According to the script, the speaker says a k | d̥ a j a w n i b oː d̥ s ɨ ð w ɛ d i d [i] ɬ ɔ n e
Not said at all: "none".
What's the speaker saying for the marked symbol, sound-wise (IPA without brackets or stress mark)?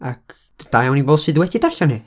a